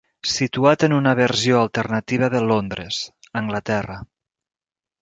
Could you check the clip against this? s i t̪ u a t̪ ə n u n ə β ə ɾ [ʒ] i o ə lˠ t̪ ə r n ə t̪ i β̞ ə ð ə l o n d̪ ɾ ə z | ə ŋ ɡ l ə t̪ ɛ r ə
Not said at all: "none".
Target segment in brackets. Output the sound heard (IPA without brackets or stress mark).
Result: z